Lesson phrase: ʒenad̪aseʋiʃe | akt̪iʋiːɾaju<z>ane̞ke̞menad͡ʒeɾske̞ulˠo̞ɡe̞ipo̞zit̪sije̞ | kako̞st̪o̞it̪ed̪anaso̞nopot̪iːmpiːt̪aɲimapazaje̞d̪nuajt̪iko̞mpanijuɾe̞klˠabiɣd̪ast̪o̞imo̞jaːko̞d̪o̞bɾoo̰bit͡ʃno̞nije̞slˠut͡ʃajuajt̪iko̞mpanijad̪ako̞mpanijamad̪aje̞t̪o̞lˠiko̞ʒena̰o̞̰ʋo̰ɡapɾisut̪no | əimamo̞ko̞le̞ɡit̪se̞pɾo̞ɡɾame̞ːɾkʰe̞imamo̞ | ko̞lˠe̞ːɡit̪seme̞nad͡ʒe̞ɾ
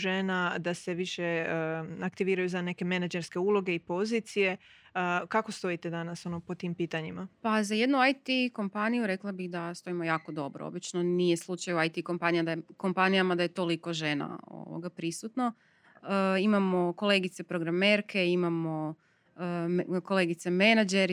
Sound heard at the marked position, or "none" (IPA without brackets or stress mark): z